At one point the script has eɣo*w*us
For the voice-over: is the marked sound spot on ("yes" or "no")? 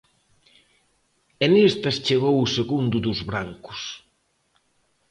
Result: yes